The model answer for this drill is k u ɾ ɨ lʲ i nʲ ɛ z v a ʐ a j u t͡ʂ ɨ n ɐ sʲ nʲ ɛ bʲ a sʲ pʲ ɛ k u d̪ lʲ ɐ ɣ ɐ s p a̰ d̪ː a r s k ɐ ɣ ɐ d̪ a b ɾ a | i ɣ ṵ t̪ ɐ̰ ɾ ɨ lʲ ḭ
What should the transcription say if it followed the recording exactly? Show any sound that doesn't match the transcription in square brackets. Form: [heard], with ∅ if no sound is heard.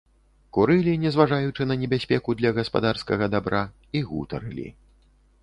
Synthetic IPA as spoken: k u ɾ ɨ lʲ i nʲ ɛ z v a ʐ a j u t͡ʂ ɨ n ɐ [∅] nʲ ɛ bʲ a sʲ pʲ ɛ k u d̪ lʲ ɐ ɣ ɐ s p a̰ [d̪] a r s k ɐ ɣ ɐ d̪ a b ɾ a | i ɣ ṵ t̪ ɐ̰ ɾ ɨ lʲ ḭ